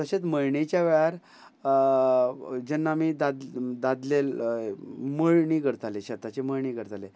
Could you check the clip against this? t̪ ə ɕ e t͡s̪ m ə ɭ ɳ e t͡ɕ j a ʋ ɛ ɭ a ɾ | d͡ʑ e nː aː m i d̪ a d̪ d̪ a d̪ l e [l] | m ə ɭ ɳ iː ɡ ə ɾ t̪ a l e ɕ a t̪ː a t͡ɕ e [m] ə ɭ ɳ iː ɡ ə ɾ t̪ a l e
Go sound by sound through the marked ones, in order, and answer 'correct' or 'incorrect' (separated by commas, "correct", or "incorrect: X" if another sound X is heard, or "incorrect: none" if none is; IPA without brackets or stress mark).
correct, correct